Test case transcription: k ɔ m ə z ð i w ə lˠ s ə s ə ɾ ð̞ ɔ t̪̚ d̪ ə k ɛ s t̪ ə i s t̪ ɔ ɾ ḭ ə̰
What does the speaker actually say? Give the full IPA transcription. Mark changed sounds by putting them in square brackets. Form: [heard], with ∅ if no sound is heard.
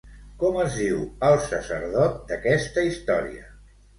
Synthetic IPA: k ɔ m ə z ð i w ə lˠ s ə s ə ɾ ð̞ ɔ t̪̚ d̪ ə k ɛ s t̪ ə i s t̪ ɔ ɾ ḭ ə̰

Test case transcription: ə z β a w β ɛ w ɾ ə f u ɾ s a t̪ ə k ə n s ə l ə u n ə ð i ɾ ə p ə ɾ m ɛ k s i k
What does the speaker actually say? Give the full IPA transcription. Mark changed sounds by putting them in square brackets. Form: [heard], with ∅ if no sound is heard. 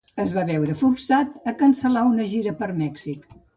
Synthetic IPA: ə z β a [∅] β ɛ w ɾ ə f u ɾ s a t̪ ə k ə n s ə l [a] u n ə [ʒ] i ɾ ə p ə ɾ m ɛ k s i k

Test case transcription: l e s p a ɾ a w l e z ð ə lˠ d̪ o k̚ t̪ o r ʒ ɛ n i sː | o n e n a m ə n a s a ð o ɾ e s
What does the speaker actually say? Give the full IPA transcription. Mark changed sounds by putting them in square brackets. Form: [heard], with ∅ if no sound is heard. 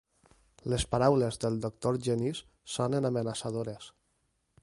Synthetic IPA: l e s p a ɾ a w l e z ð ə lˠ d̪ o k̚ t̪ o [ɾ] ʒ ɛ n i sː | o n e n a m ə n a s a ð o ɾ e s

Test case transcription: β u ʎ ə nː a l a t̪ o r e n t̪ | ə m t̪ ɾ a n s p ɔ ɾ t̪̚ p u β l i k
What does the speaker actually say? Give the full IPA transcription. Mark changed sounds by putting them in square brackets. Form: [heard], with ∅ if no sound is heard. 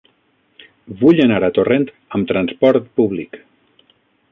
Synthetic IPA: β u ʎ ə [n] a [ɾ] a t̪ o r e n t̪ | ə m t̪ ɾ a n s p ɔ ɾ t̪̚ p u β l i k

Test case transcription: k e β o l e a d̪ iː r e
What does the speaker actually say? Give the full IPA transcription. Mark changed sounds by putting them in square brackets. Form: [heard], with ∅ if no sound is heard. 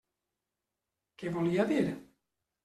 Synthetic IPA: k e [v] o l [i] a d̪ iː [ɾ] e

